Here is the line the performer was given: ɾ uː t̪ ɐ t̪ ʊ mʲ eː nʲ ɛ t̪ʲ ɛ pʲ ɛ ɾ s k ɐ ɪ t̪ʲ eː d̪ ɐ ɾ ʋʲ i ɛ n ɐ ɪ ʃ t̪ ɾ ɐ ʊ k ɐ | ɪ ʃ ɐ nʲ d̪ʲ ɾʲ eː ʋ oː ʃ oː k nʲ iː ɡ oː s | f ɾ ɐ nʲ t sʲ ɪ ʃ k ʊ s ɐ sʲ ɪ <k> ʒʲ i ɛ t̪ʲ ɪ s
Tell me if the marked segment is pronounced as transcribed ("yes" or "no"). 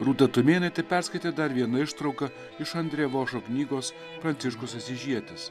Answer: no